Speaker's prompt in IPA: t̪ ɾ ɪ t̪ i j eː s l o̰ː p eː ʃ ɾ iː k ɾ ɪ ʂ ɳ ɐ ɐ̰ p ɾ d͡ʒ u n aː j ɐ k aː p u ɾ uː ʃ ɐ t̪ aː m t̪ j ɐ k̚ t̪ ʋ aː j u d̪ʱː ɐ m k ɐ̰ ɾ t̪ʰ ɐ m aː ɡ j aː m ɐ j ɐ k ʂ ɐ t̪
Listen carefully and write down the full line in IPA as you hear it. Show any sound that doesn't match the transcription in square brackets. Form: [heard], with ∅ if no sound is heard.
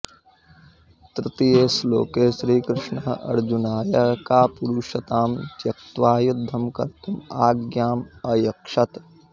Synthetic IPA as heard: t̪ ɾ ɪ t̪ i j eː s l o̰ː [k] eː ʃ ɾ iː k ɾ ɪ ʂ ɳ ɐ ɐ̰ [∅] ɾ d͡ʒ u n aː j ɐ k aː p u ɾ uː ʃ ɐ t̪ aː m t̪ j ɐ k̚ t̪ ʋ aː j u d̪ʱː ɐ m k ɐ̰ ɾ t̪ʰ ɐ m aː ɡ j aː m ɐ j ɐ k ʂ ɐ t̪